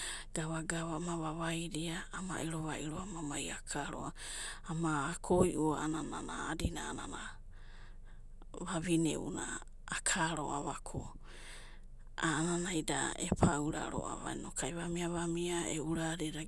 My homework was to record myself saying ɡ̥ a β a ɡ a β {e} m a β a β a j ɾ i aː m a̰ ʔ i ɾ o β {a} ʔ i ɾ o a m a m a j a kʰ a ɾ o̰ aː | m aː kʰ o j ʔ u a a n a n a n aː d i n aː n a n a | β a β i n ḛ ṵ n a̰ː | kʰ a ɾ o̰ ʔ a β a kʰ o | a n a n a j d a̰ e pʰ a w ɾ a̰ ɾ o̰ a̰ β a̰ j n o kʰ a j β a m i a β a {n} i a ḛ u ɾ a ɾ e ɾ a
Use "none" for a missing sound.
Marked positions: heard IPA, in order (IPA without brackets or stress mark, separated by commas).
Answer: a, a, m